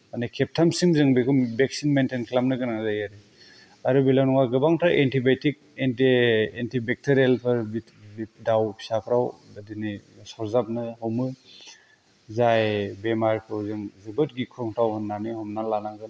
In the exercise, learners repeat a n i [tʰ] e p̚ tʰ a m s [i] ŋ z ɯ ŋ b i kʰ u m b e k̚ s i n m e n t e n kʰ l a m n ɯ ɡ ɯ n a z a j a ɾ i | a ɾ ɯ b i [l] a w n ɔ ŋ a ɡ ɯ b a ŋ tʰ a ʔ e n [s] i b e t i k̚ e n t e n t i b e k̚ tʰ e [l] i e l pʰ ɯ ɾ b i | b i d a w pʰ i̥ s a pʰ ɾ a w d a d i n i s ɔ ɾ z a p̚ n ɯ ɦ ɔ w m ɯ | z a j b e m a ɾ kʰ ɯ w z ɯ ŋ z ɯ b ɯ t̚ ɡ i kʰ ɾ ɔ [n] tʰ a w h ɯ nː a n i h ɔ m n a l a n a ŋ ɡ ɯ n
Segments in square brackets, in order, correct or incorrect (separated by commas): incorrect, correct, correct, incorrect, incorrect, incorrect